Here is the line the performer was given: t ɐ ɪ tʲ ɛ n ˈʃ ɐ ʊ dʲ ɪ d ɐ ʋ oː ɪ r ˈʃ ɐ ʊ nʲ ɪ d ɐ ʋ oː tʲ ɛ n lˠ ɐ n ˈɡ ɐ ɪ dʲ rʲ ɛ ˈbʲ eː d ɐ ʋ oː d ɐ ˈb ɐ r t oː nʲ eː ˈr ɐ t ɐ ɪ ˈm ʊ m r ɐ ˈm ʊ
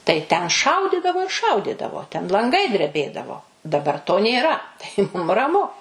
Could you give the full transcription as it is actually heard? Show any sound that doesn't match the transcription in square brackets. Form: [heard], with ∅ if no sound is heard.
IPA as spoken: t ɐ ɪ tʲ ɛ n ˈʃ ɐ ʊ dʲ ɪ d ɐ ʋ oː ɪ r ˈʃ ɐ ʊ [dʲ] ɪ d ɐ ʋ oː tʲ ɛ n lˠ ɐ [ŋ] ˈɡ ɐ ɪ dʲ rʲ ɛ ˈbʲ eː d ɐ ʋ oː d ɐ ˈb ɐ r t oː nʲ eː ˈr ɐ t ɐ ɪ ˈm ʊ m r ɐ ˈm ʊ